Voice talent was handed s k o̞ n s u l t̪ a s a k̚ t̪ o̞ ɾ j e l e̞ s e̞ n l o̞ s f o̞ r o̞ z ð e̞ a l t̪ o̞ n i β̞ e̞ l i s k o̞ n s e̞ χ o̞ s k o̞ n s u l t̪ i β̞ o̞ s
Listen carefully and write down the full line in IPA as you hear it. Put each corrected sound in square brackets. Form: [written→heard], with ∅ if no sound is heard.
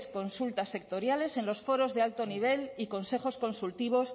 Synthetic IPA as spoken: s k o̞ n s u l t̪ a s [a→e] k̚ t̪ o̞ ɾ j [e→a] l e̞ s e̞ n l o̞ s f o̞ [r→ɾ] o̞ z ð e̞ a l t̪ o̞ n i β̞ e̞ l i [s→∅] k o̞ n s e̞ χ o̞ s k o̞ n s u l t̪ i β̞ o̞ s